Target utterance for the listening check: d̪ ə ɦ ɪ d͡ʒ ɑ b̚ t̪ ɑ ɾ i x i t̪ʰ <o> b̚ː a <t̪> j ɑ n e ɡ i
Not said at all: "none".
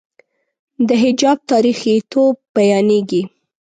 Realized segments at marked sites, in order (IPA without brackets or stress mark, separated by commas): o, none